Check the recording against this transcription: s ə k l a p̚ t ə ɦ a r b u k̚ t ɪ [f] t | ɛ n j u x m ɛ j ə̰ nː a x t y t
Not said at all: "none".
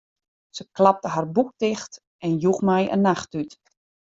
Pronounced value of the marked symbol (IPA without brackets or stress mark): x